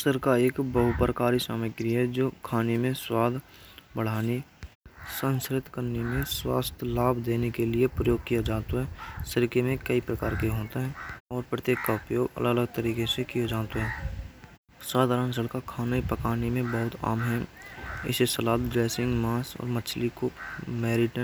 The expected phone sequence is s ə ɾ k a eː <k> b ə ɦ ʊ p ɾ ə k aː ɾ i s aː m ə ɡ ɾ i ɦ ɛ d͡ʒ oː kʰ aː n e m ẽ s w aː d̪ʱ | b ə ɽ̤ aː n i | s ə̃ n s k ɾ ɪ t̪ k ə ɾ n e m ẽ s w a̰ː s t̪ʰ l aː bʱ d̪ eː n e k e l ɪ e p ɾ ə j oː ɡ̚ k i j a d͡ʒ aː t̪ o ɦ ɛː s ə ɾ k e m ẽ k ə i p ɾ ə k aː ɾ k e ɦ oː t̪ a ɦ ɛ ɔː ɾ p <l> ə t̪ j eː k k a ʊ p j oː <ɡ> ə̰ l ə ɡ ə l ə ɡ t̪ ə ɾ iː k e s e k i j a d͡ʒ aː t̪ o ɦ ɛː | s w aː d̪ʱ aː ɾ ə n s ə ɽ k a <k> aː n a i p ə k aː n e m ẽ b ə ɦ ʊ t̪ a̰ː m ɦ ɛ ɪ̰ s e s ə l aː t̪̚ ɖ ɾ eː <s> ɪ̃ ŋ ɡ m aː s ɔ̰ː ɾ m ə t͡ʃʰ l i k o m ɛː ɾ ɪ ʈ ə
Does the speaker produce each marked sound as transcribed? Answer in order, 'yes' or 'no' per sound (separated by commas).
yes, no, yes, no, yes